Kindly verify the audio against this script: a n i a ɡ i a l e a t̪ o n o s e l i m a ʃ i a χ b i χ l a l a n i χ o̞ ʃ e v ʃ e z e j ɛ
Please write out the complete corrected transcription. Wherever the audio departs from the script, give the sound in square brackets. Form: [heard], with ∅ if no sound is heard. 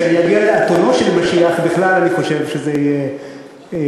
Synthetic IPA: a n i a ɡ i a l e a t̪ o n o [ʃ] e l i m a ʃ i a χ b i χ l a l a n i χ o̞ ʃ e v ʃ e z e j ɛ